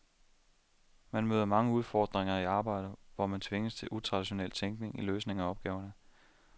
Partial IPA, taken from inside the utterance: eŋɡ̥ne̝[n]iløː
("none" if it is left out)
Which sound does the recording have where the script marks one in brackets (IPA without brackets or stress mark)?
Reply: ŋ